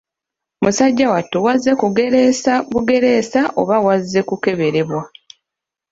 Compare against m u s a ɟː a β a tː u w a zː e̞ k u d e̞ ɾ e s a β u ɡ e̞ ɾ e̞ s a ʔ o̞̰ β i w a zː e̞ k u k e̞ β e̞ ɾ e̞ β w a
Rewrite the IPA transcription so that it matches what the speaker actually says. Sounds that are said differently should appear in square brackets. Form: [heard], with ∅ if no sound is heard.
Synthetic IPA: m u s a ɟː a [w] a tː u w a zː e̞ k u [ɡ] e̞ ɾ e s a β u ɡ e̞ ɾ e̞ s a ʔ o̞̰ β [a] w a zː e̞ k u k e̞ β e̞ ɾ e̞ β w a